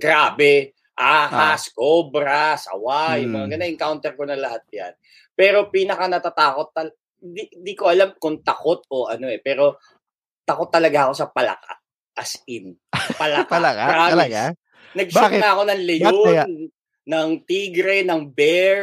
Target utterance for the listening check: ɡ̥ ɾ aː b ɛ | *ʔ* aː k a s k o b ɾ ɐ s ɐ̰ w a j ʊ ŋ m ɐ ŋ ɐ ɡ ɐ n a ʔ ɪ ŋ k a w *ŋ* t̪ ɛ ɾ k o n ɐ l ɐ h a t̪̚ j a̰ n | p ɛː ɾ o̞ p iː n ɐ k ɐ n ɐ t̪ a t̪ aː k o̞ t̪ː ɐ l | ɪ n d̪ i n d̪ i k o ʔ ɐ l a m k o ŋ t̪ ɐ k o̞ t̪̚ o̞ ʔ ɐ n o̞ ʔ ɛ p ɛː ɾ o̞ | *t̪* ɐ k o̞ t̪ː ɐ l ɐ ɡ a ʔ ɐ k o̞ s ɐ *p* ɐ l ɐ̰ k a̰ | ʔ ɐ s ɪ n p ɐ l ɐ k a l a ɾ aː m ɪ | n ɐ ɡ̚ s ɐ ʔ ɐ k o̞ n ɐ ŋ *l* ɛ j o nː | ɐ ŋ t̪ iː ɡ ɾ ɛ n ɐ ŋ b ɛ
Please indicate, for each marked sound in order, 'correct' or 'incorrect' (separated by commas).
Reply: correct, incorrect, correct, correct, correct